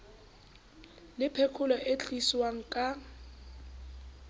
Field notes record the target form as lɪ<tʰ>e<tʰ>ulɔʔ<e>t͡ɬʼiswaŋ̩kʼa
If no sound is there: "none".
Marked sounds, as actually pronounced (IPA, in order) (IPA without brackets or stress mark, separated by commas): pʰ, kʰ, e